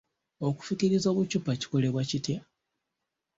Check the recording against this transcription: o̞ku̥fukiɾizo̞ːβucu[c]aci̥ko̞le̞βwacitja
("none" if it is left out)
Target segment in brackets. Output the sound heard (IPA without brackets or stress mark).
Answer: p